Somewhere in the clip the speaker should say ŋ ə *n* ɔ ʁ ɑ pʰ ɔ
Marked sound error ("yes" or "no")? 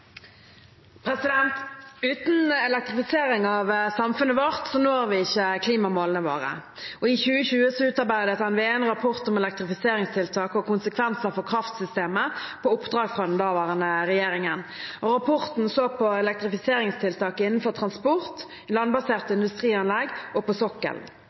no